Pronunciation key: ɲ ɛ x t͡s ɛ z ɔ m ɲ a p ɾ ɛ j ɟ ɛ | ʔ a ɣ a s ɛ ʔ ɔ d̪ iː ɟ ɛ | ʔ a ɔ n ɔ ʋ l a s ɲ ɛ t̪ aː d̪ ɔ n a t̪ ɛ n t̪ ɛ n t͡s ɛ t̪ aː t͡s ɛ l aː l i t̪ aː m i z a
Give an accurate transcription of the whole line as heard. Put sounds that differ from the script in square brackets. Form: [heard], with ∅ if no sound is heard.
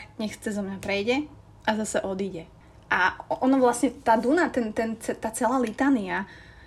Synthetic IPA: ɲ ɛ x t͡s ɛ z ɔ m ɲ a p ɾ ɛ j ɟ ɛ | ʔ a [z] a s ɛ ʔ ɔ d̪ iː ɟ ɛ | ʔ a ɔ n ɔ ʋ l a s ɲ ɛ t̪ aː d̪ [u] n a t̪ ɛ n t̪ ɛ n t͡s ɛ t̪ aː t͡s ɛ l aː l i t̪ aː [n] i [∅] a